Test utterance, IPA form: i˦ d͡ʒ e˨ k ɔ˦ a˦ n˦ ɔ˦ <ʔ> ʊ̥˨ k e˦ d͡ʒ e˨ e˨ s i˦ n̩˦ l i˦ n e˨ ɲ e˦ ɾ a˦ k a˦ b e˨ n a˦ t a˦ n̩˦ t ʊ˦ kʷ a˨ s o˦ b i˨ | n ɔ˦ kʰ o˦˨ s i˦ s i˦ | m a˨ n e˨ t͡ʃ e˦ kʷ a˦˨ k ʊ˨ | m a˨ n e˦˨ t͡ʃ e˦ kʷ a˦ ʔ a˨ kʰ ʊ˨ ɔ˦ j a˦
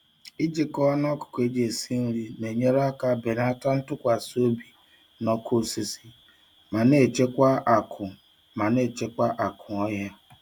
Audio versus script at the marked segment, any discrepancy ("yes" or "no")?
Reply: yes